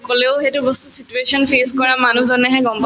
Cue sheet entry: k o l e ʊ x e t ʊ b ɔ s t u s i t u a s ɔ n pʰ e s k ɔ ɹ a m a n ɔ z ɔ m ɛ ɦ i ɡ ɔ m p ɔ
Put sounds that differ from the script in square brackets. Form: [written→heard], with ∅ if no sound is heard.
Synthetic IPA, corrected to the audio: k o l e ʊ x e t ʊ b ɔ s t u s i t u [a→e] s ɔ n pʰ e s k ɔ ɹ a m a n [ɔ→u] z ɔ [m→n] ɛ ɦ [i→ɛ] ɡ ɔ m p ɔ